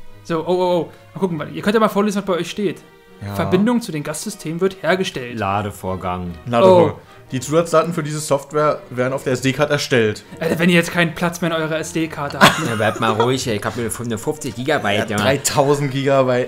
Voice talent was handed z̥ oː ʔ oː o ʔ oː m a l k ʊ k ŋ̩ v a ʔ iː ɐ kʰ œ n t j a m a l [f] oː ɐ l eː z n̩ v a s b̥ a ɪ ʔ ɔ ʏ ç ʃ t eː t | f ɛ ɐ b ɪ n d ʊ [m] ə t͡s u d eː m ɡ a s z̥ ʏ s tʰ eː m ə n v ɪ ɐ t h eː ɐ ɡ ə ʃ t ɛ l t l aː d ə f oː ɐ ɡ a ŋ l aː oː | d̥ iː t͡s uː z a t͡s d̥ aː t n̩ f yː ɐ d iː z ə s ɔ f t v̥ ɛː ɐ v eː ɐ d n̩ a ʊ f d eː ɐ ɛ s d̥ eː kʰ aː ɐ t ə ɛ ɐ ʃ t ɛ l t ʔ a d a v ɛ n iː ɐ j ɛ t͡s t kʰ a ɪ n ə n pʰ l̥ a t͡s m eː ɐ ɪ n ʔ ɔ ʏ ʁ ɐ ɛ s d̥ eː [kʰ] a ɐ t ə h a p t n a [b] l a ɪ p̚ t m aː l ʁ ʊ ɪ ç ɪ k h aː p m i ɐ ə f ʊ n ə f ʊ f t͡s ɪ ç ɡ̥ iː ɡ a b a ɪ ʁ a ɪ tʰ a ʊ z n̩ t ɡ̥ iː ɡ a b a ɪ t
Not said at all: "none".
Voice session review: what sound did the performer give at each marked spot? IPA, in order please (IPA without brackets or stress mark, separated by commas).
f, ŋ, kʰ, b